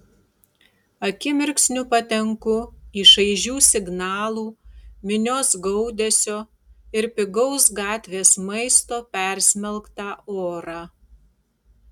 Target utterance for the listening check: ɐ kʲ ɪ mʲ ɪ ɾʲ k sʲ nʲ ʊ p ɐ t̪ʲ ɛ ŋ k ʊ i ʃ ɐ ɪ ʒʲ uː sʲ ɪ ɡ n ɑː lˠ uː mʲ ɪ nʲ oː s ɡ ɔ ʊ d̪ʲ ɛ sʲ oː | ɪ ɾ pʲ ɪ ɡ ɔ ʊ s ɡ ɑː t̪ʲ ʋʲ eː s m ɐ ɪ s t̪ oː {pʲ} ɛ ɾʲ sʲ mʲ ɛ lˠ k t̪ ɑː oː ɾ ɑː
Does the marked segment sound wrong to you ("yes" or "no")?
no